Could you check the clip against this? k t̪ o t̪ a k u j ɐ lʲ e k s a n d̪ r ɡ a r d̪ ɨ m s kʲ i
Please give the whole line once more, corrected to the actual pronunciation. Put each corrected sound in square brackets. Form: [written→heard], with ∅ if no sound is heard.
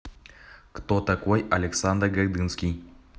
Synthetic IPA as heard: k t̪ o t̪ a k [u→o] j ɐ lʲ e k s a n d̪ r ɡ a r d̪ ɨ [m→n] s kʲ i